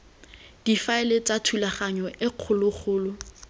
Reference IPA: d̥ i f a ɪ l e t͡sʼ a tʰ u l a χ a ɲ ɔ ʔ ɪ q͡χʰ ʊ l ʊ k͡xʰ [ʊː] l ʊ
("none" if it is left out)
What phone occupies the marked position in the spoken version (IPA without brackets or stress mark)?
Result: ʊː